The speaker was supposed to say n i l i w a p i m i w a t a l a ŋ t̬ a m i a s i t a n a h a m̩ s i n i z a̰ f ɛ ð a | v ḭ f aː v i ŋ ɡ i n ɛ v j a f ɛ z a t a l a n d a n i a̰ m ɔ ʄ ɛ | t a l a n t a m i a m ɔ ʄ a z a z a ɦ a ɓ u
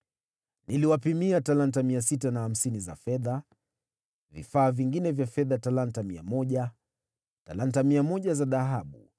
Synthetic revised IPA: n i l i w a p i m i a t a l a n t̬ a m i a s i t a n a h a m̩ s i n i z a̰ f ɛ ð a | v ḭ f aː v i ŋ ɡ i n ɛ v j a f ɛ ð a t a l a n t a m i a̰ m ɔ ʄ a | t a l a n t a m i a m ɔ ʄ a z a ð a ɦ a ɓ u